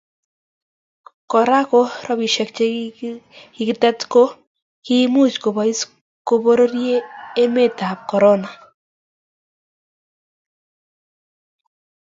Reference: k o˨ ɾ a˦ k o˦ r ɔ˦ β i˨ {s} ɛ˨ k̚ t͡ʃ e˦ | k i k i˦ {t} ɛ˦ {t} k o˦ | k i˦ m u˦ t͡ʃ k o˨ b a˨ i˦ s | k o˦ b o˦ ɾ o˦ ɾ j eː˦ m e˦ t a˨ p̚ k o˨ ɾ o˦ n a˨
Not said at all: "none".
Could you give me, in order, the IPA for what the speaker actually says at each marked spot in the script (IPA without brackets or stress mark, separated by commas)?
ʃ, t, t